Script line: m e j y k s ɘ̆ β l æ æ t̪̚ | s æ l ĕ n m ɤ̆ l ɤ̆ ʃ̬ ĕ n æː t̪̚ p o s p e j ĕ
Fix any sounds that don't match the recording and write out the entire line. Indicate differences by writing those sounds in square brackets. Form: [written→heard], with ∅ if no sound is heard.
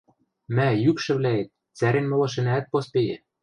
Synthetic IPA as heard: m [e→æ] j y k [s→ʃ] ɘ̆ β l æ [æ→e] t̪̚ | [s→t͡s] æ [l→ɾ] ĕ n m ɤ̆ l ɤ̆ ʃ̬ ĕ n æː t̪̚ p o s p e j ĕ